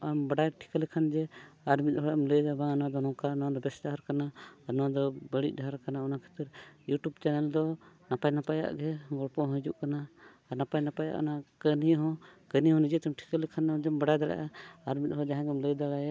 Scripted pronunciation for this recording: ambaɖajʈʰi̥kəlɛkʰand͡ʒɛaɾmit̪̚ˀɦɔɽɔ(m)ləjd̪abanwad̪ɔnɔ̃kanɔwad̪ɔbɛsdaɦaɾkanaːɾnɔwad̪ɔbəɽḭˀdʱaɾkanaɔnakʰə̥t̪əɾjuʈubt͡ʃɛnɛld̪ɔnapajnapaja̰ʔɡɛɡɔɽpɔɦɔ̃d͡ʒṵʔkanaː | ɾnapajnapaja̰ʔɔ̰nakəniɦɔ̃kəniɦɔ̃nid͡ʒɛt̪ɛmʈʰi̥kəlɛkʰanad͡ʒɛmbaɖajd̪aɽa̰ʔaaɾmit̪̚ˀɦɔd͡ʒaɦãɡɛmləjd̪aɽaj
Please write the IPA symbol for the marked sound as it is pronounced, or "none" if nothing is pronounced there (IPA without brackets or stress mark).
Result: m